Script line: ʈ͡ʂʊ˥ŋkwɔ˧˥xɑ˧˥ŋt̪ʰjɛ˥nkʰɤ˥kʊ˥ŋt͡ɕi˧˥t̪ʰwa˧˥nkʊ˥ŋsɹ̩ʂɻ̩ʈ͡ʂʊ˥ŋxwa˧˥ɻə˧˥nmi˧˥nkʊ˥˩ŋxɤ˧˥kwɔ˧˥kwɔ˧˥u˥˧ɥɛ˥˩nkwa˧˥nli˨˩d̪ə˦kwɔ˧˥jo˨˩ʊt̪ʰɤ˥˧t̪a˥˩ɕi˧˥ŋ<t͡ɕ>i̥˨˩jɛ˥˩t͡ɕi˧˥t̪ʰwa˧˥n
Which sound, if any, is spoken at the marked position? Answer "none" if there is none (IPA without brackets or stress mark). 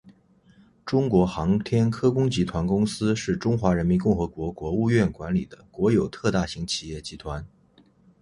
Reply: t͡ɕʰ